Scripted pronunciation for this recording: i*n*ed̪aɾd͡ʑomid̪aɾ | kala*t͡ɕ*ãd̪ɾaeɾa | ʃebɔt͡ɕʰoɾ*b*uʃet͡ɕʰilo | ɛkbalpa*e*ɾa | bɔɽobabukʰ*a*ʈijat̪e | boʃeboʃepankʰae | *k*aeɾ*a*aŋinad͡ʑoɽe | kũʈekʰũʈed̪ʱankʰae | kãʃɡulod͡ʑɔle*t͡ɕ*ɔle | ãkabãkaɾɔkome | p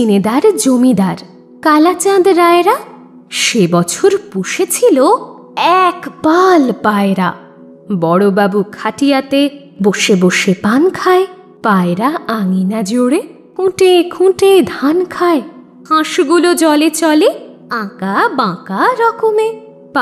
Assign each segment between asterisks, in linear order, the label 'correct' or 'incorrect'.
correct, correct, incorrect, correct, correct, incorrect, correct, correct

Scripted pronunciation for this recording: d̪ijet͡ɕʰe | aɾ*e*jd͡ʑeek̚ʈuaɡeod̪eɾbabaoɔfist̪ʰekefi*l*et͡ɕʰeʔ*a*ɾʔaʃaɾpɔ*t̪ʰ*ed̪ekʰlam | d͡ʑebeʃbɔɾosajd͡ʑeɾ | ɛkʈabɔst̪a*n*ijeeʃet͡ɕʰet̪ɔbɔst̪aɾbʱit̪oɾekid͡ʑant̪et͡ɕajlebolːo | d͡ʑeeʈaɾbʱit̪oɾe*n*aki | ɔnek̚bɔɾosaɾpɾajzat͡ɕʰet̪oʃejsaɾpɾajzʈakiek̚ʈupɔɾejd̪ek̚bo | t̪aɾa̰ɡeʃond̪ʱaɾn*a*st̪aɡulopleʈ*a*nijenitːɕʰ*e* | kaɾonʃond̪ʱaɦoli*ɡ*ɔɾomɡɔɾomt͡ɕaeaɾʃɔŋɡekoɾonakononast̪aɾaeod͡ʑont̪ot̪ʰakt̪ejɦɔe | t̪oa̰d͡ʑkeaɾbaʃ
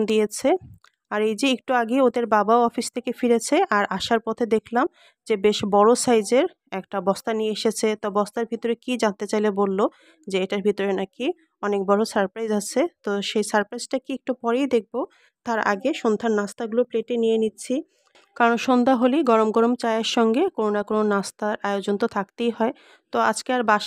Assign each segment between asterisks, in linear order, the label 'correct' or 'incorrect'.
correct, incorrect, correct, correct, correct, correct, correct, incorrect, incorrect, correct

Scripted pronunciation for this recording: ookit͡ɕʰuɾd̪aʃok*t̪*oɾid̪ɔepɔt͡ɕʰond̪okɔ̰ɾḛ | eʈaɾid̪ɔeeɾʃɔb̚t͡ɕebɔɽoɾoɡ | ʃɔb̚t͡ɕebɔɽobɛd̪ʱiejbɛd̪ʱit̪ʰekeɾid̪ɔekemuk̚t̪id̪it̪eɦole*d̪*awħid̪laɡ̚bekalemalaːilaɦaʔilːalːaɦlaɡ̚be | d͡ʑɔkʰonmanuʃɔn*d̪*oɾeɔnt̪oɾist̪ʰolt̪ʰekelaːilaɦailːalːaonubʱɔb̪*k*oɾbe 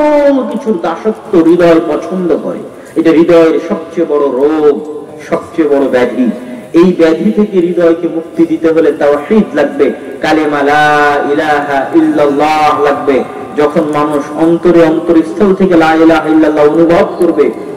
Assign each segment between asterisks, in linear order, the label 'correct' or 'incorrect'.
correct, incorrect, incorrect, correct

